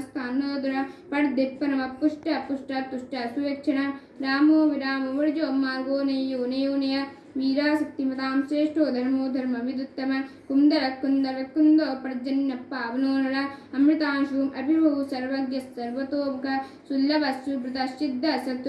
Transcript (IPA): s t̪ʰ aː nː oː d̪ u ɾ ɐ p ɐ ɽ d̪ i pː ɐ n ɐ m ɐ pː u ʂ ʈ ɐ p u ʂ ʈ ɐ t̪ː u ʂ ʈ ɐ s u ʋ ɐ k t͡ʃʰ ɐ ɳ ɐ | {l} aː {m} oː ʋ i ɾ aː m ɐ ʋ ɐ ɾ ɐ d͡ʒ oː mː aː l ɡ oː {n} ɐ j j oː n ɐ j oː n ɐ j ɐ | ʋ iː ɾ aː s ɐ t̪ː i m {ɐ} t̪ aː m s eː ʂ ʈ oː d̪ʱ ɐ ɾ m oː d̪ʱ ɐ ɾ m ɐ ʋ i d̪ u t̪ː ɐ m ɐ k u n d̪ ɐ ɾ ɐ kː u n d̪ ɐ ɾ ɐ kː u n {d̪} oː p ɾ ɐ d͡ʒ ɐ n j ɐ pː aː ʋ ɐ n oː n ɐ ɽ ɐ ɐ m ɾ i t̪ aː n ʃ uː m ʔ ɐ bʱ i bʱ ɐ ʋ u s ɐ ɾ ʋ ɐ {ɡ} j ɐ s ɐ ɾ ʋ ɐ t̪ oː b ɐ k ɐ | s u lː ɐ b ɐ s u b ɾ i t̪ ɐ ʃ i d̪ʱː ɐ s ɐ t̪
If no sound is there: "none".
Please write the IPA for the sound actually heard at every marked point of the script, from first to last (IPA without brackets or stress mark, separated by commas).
ɾ, m, n, ɐ, d̪, ɡ